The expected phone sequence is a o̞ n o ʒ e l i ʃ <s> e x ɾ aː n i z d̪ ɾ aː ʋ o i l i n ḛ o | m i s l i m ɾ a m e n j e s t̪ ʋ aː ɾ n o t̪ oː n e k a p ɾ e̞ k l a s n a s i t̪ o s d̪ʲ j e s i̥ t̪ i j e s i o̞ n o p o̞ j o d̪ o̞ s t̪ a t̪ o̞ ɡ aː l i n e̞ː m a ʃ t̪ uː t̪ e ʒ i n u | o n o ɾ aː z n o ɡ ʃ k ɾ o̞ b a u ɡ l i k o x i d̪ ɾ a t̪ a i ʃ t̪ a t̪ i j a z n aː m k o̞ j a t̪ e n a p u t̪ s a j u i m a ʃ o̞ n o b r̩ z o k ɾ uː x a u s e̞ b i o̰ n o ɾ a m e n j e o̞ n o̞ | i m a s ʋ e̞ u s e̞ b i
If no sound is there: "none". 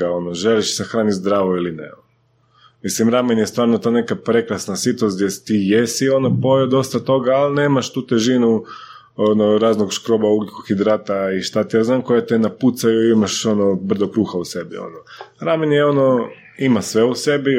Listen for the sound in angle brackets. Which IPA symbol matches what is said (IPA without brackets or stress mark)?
s